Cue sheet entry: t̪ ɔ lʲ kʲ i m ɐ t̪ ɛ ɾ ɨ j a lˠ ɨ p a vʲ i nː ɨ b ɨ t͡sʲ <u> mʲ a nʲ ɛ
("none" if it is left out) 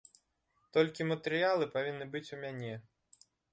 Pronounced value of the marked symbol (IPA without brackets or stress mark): u